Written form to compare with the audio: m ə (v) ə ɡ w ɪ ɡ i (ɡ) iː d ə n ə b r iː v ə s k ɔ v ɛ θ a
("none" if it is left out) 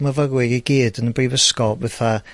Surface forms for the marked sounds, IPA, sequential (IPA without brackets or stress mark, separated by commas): v, ɡ